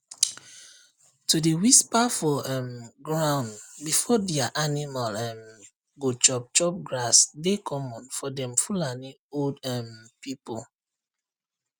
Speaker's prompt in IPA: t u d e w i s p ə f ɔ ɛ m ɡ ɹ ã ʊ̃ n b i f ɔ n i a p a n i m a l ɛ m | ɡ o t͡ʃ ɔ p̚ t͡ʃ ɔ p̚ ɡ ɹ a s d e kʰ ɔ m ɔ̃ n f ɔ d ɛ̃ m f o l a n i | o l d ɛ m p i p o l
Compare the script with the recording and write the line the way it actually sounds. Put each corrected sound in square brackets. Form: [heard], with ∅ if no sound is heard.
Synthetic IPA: t u d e w i s p [a] f ɔ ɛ m ɡ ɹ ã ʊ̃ n b i f ɔ [d] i a [ʔ] a n i m a l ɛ m | ɡ o t͡ʃ ɔ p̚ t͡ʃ ɔ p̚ ɡ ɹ a s d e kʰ ɔ m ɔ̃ n f ɔ d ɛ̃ m f [u] l a n i | o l d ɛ m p i p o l